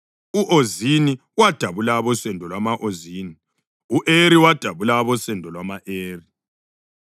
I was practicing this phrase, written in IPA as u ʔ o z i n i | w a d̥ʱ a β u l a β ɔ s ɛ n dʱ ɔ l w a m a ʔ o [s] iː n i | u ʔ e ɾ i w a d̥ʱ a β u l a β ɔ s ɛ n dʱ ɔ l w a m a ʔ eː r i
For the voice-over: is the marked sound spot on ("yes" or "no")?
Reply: no